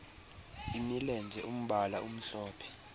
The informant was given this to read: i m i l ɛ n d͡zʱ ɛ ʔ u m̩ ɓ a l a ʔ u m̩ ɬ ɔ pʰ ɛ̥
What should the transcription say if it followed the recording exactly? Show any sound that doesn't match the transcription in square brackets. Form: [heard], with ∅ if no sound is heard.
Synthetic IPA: i m i l ɛ n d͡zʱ ɛ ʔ u m̩ ɓ a l a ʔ u m̩ ɬ [ɔː] pʰ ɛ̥